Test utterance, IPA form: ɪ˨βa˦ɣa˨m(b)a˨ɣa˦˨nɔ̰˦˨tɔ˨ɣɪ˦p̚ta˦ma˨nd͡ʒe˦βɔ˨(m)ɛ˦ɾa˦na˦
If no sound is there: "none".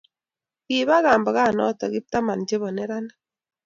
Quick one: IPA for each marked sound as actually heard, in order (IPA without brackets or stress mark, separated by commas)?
b, n